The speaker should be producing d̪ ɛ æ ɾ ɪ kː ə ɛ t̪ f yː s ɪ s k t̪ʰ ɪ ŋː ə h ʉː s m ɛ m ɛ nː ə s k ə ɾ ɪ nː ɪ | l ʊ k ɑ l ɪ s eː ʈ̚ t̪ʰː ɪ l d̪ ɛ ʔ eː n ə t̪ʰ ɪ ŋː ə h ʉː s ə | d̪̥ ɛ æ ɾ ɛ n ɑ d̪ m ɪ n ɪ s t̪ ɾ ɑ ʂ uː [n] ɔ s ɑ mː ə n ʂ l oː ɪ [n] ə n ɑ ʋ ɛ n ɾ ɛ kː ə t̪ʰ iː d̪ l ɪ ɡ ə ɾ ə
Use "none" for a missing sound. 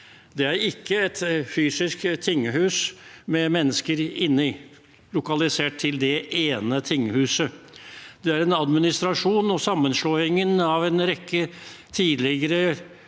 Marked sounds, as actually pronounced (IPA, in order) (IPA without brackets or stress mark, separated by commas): n, ŋ